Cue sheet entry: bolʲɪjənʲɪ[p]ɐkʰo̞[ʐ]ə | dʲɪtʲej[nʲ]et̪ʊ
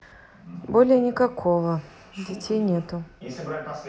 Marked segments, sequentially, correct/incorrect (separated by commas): incorrect, incorrect, correct